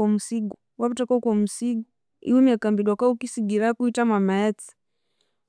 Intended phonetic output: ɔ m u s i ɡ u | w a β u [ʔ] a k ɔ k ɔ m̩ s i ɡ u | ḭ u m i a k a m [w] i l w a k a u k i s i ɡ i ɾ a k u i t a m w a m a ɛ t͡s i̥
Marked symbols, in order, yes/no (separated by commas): no, no